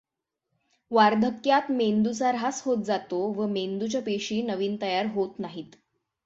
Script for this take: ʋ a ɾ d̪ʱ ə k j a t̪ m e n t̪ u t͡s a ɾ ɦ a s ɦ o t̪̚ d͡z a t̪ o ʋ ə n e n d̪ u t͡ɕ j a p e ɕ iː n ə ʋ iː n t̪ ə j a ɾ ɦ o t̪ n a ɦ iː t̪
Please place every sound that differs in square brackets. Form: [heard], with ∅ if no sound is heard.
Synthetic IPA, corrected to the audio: ʋ a ɾ d̪ʱ ə k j a t̪ m e n [d̪] u t͡s a ɾ ɦ a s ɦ o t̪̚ d͡z a t̪ o ʋ ə [m] e n d̪ u t͡ɕ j a p e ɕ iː n ə ʋ iː n t̪ ə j a ɾ ɦ o t̪ n a ɦ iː t̪